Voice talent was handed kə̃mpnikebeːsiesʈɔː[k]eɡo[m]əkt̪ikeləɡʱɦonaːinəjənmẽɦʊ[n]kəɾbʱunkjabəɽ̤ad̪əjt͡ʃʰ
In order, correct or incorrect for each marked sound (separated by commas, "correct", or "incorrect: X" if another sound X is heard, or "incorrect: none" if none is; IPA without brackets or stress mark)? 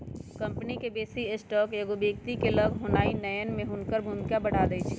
correct, incorrect: b, correct